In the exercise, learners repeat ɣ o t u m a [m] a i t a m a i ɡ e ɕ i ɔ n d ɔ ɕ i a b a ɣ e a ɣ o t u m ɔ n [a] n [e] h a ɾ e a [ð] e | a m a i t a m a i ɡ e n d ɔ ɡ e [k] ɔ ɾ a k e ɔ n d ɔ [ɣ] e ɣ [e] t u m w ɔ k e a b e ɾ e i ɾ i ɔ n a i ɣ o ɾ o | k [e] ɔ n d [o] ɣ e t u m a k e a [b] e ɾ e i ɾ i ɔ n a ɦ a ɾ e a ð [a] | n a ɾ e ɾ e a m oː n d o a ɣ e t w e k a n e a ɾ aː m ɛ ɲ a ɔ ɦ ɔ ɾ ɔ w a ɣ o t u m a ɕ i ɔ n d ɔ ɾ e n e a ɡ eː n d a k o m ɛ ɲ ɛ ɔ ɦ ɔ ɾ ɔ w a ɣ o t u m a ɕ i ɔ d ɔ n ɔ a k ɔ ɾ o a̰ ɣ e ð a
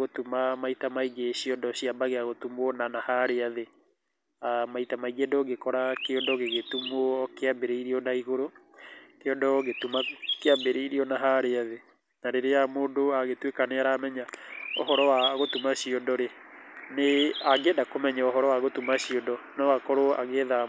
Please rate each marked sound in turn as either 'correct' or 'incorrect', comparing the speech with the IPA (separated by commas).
correct, correct, incorrect, correct, correct, correct, correct, correct, incorrect, correct, incorrect